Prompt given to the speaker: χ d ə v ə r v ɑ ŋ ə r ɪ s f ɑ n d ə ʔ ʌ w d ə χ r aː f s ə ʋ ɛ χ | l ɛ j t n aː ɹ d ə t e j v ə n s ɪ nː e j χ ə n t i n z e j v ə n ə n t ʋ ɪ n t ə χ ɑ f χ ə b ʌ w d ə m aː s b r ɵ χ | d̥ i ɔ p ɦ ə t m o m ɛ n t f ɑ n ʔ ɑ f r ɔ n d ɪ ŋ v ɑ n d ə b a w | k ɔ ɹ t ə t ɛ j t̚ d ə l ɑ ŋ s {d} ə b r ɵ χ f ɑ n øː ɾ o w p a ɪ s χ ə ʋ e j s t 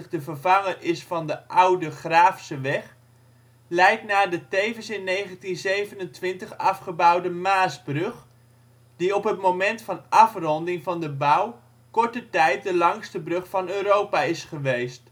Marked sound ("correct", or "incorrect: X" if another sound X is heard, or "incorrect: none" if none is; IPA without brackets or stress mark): incorrect: t